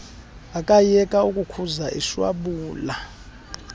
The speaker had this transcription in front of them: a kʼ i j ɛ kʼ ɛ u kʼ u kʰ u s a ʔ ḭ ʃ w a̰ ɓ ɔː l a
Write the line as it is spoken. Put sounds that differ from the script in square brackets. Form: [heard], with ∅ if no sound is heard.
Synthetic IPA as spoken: a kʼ [a] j ɛ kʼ [a] u kʼ u kʰ u [z] a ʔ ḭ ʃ w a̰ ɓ [uː] l a